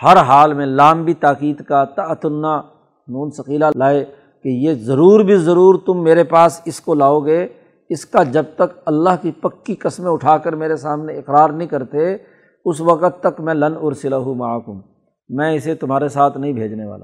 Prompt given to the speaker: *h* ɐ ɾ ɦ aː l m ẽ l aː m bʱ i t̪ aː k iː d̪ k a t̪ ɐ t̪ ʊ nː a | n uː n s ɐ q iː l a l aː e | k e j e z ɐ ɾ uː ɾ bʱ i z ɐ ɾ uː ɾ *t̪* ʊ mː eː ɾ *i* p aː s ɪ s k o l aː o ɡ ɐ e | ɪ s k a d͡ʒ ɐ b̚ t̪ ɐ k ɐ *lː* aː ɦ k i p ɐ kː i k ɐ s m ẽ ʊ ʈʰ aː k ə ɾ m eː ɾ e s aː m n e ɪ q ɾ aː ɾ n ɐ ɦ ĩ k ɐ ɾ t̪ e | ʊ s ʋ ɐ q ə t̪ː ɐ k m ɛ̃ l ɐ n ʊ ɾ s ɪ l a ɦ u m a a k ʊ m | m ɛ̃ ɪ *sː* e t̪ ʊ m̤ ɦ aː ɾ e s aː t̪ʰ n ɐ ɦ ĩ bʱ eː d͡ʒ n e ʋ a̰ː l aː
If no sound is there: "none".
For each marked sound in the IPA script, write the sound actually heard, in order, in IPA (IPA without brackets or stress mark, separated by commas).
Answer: h, t̪, e, lː, s